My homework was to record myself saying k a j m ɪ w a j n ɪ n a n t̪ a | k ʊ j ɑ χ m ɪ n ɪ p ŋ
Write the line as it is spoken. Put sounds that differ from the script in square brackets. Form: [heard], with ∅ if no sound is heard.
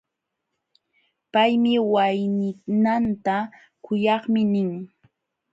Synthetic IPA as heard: [p] a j m ɪ w a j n ɪ n a n t̪ a | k ʊ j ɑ χ m ɪ n ɪ [∅] ŋ